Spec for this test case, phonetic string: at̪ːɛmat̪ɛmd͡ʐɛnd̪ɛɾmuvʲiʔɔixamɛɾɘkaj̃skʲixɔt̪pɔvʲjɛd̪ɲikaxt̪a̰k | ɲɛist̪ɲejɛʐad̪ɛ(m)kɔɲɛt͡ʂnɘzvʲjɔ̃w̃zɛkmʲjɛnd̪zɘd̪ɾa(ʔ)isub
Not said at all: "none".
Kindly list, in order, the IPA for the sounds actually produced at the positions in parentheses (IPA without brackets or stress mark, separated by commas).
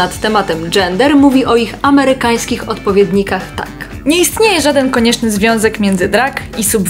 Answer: n, k